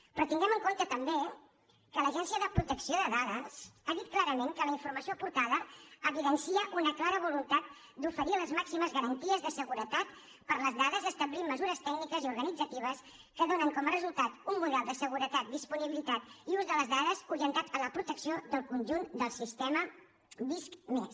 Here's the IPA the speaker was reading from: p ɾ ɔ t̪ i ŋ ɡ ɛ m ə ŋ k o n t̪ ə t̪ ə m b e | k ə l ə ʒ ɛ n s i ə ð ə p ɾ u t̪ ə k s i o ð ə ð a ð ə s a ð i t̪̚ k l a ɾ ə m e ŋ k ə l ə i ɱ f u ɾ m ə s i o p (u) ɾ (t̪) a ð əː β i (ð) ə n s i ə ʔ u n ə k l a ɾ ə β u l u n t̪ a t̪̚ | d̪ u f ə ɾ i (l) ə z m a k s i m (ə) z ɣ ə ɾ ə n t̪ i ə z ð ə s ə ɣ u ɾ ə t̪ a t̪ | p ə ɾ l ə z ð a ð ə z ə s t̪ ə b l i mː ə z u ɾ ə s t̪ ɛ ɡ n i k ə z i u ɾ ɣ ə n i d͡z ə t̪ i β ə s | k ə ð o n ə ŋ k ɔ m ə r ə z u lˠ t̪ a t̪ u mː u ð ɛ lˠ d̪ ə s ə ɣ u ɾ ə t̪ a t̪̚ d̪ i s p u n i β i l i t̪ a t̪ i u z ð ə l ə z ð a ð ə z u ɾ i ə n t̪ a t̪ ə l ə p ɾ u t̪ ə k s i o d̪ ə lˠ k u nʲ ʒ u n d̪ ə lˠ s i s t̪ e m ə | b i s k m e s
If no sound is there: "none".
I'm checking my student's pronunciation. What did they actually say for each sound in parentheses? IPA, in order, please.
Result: u, t̪, ð, l, ə

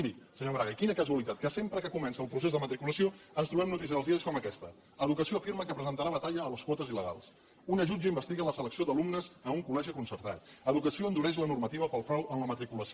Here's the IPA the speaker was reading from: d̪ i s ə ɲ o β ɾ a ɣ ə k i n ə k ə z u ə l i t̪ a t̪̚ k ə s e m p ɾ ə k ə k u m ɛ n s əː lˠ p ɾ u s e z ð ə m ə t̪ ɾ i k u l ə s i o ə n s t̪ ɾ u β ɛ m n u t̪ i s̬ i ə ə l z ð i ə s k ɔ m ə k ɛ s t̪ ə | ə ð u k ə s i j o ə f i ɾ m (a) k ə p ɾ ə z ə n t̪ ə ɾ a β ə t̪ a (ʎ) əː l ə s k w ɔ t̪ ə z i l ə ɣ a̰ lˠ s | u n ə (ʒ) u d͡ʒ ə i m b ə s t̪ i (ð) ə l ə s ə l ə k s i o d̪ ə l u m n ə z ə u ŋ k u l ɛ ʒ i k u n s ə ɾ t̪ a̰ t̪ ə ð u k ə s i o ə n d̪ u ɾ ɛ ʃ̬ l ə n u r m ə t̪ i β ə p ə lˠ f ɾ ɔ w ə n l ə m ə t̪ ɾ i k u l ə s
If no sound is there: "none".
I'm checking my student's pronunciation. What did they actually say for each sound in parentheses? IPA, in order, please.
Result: ə, ʎ, ʒ, ɣ

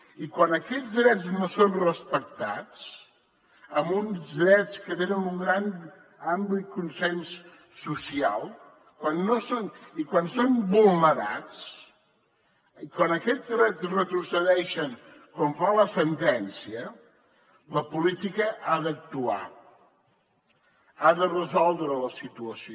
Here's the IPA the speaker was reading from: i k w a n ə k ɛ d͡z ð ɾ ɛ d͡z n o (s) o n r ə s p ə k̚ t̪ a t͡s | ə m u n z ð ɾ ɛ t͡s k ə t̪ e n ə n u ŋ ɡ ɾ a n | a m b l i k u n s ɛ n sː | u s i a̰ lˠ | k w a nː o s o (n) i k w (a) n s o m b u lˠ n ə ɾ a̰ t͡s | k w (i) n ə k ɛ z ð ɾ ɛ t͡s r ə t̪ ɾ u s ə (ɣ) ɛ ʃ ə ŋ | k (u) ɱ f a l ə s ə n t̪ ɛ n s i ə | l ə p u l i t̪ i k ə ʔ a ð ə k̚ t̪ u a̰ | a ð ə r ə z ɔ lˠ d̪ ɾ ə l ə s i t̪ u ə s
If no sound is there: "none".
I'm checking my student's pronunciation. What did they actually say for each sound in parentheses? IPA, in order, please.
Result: s, n, a, a, ð, ɔ

